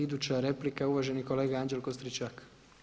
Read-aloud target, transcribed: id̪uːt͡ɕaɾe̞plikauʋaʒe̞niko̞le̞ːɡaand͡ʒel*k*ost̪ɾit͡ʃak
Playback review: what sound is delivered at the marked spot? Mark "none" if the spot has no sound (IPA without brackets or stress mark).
k